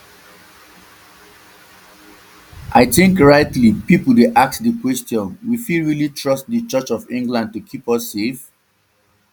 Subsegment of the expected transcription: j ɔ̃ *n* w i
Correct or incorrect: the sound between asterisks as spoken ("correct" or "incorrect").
correct